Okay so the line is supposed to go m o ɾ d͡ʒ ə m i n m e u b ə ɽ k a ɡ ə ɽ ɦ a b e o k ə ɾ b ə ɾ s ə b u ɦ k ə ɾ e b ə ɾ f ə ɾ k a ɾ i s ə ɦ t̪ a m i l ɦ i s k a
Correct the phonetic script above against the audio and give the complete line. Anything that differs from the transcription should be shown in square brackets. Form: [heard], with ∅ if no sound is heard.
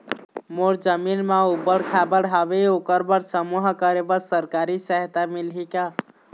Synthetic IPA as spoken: m o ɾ d͡ʒ ə m i n m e u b ə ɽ [kʰ] a [b] ə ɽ ɦ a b e o k ə ɾ b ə ɾ s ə [m] u ɦ k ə ɾ e b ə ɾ [s] ə ɾ k a ɾ i s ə ɦ t̪ a m i l ɦ i [∅] k a